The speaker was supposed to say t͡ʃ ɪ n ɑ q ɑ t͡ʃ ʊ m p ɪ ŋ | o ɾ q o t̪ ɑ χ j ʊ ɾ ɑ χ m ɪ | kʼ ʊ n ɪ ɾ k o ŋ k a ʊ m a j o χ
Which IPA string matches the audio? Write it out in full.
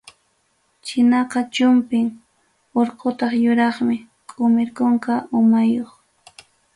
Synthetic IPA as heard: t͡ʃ ɪ n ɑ q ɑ t͡ʃ ʊ m p ɪ ŋ | o ɾ q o t̪ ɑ χ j ʊ ɾ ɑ χ m ɪ | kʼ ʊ m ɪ ɾ k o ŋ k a ʊ m a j o χ